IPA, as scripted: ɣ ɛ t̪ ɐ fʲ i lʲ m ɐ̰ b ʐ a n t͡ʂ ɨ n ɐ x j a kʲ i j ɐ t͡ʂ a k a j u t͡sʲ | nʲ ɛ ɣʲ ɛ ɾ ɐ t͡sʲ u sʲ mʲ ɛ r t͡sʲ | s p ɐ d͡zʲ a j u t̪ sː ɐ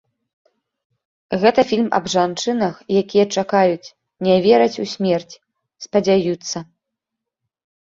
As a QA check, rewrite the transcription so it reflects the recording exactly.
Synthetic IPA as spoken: ɣ ɛ t̪ ɐ fʲ i lʲ m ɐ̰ b ʐ a n t͡ʂ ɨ n ɐ x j a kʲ i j ɐ t͡ʂ a k a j u t͡sʲ | nʲ ɛ vʲ ɛ ɾ ɐ t͡sʲ u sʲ mʲ ɛ r t͡sʲ | s p ɐ d͡zʲ a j u t̪ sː ɐ